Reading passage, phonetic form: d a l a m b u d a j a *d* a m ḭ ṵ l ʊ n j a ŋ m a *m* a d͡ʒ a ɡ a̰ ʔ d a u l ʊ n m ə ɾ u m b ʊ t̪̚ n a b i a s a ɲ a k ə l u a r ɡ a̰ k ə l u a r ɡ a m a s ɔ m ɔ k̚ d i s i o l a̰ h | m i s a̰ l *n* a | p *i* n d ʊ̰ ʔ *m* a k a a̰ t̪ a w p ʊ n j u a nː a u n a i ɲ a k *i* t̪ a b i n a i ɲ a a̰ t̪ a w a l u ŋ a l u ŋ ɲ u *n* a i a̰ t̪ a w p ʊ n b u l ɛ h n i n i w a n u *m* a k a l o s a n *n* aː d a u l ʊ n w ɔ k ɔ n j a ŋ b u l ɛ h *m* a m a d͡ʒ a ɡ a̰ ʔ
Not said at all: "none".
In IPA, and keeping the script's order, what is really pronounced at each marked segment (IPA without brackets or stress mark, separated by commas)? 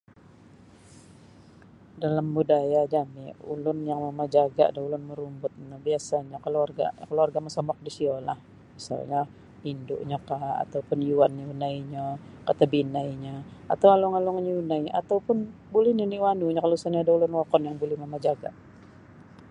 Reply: d͡ʒ, m, ɲ, i, ɲ, a, n, ɲ, ɲ, m